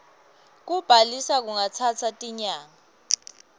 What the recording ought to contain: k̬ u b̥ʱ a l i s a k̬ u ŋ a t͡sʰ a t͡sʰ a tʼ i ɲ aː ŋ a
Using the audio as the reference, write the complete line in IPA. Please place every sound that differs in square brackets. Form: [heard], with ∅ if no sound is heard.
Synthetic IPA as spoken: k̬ u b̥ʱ a l i s a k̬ u ŋ a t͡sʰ a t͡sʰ a tʼ i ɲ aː ŋ a

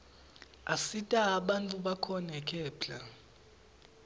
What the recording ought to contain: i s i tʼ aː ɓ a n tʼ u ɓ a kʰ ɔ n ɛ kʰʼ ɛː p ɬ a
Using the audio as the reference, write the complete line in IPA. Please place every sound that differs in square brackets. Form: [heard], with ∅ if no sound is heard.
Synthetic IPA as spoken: [a] s i tʼ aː ɓ a n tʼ u ɓ a kʰ ɔ n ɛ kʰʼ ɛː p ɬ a

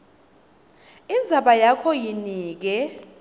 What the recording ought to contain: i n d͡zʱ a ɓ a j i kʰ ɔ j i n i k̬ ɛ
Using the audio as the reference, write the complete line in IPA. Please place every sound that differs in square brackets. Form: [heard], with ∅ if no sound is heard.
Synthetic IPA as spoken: i n d͡zʱ a ɓ a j [a] kʰ ɔ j i n [iː] k̬ ɛ

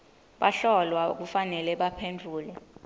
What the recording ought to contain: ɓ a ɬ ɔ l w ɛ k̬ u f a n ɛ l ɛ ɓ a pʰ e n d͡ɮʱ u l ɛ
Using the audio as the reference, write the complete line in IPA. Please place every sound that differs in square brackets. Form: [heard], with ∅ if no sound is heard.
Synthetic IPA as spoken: ɓ a ɬ ɔ l w [a] k̬ u f a n ɛ l ɛ ɓ a pʰ e n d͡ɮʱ [uː] l ɛ

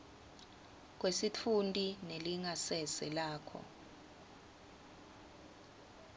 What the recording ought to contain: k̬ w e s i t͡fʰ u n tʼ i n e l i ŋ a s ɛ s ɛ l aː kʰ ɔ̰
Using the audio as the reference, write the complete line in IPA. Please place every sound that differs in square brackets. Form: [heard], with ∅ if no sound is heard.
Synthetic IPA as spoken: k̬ w e s i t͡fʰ u n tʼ i n e l i ŋ a s ɛ s ɛ l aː kʰ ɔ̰

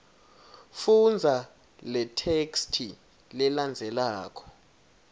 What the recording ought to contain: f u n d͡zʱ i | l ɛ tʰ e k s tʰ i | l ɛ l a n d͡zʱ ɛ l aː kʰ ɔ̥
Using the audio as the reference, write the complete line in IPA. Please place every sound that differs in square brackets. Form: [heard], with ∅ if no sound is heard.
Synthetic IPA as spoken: f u n d͡zʱ [a] | l ɛ tʰ e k s tʰ i | l ɛ l a n d͡zʱ ɛ l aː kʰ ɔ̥

